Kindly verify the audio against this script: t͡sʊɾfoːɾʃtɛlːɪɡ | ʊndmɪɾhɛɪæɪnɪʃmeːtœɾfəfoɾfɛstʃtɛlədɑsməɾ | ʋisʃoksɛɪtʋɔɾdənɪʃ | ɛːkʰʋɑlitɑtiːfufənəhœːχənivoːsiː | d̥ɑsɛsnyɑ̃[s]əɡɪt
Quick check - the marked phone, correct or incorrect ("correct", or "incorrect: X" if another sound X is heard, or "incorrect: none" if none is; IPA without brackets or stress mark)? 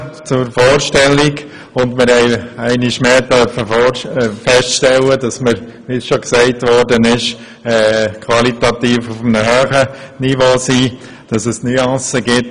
correct